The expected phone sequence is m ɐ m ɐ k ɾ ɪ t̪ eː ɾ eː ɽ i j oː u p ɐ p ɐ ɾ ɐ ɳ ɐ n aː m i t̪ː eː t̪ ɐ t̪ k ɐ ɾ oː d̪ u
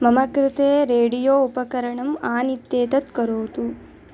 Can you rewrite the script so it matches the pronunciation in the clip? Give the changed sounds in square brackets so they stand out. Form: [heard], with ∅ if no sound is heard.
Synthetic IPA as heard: m ɐ m ɐ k ɾ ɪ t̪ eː ɾ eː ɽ i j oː u p ɐ [k] ɐ ɾ ɐ ɳ ɐ [m] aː [n] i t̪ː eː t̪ ɐ t̪ k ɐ ɾ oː [t̪] u

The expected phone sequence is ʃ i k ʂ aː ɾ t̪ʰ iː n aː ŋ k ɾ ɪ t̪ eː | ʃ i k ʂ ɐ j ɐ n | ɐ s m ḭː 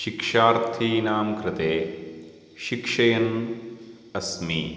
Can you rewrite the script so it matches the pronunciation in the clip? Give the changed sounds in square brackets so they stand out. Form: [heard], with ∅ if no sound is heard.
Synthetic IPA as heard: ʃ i k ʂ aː ɾ t̪ʰ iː n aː [m] k ɾ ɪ t̪ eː | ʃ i k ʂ ɐ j ɐ n | ɐ s m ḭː

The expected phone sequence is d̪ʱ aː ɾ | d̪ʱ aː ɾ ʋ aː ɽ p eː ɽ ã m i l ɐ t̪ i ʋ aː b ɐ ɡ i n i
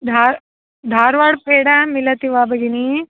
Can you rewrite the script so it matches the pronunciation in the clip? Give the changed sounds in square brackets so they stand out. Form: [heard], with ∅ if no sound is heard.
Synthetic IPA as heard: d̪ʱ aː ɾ | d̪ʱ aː ɾ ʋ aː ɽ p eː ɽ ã m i l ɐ t̪ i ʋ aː b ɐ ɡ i n i

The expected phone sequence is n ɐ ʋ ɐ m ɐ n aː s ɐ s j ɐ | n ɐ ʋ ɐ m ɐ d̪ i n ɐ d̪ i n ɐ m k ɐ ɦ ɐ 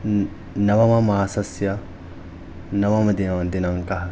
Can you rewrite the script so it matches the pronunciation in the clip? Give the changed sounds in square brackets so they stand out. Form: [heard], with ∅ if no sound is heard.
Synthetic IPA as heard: n ɐ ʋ ɐ m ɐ [m] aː s ɐ s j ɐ | n ɐ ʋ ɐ m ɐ d̪ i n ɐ d̪ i n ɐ [ŋ] k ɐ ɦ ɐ

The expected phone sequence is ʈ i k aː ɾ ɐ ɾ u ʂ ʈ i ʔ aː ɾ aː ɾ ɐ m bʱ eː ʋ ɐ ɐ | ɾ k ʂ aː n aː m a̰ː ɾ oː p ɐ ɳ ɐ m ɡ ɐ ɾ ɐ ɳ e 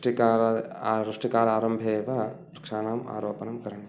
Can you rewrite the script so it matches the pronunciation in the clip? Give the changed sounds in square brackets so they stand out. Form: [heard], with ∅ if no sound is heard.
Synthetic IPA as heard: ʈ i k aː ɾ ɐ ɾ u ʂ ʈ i [k] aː ɾ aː ɾ ɐ m bʱ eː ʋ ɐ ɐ | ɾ k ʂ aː n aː m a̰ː ɾ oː p ɐ [n] ɐ m [k] ɐ ɾ ɐ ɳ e

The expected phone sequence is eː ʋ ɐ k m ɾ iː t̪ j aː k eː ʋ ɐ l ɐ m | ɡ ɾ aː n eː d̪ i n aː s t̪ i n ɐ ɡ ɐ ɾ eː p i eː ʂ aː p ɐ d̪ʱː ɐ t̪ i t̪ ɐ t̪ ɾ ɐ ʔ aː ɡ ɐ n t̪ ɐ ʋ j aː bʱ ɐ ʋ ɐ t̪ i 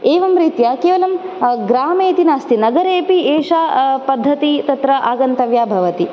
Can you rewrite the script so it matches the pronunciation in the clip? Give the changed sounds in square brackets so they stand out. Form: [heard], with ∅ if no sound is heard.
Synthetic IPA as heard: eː ʋ ɐ [∅] m ɾ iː t̪ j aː k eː ʋ ɐ l ɐ m | ɡ ɾ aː [m] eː [t̪] i n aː s t̪ i n ɐ ɡ ɐ ɾ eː p i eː ʂ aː p ɐ d̪ʱː ɐ t̪ i t̪ ɐ t̪ ɾ ɐ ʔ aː ɡ ɐ n t̪ ɐ ʋ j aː bʱ ɐ ʋ ɐ t̪ i

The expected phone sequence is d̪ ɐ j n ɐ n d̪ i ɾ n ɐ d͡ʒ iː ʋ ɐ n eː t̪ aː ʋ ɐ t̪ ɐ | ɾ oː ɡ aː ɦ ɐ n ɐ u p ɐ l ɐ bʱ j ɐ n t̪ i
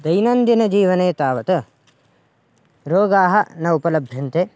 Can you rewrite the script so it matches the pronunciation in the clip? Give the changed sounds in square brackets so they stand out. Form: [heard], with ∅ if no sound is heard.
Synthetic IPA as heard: d̪ ɐ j n ɐ n d̪ i [∅] n ɐ d͡ʒ iː ʋ ɐ n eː t̪ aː ʋ ɐ t̪ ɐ | ɾ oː ɡ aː ɦ ɐ n ɐ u p ɐ l ɐ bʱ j ɐ n t̪ [e]

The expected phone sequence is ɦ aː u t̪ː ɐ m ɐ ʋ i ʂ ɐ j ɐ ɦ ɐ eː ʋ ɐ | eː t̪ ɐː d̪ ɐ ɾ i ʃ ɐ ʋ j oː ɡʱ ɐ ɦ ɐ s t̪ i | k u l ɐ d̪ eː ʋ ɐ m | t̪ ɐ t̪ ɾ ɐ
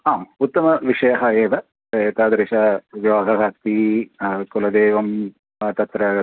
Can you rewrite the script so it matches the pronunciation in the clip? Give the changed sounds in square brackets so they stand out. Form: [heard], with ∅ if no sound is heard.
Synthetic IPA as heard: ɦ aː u t̪ː ɐ m ɐ ʋ i ʂ ɐ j ɐ ɦ ɐ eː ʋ ɐ | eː t̪ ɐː d̪ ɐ ɾ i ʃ ɐ ʋ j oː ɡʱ ɐ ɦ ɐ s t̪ i | k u l ɐ d̪ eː ʋ ɐ m | t̪ ɐ t̪ ɾ ɐ

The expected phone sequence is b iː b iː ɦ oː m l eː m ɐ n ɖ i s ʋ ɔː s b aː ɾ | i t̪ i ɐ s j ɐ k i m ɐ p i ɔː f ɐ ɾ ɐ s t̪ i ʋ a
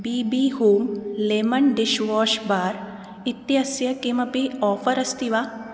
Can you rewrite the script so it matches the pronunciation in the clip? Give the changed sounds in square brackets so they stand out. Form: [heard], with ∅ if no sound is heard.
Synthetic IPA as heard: b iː b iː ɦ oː m l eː m ɐ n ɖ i [ʃ] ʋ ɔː [ʃ] b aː ɾ | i t̪ [j] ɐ s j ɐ k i m ɐ p i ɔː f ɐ ɾ ɐ s t̪ i ʋ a

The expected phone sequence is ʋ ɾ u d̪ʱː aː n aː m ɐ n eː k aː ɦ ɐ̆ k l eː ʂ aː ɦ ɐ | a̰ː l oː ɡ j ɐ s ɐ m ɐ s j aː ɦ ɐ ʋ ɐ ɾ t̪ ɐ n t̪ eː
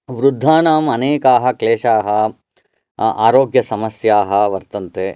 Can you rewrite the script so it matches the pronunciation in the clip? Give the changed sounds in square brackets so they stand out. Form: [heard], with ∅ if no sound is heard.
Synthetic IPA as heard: ʋ ɾ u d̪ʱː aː n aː m ɐ n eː k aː ɦ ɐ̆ k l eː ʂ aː ɦ ɐ | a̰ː [ɾ] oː ɡ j ɐ s ɐ m ɐ s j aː ɦ ɐ ʋ ɐ ɾ t̪ ɐ n t̪ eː

